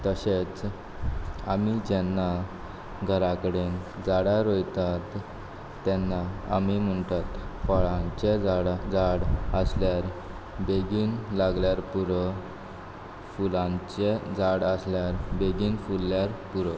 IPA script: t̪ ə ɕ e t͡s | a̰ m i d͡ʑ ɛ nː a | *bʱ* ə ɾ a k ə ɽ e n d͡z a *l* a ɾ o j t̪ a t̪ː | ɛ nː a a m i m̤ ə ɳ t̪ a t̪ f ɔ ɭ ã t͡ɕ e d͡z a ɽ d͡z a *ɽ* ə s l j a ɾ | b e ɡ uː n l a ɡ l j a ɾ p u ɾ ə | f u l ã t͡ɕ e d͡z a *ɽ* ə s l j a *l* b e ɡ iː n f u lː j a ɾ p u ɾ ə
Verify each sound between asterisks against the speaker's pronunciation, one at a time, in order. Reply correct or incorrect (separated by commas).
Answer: incorrect, incorrect, correct, correct, incorrect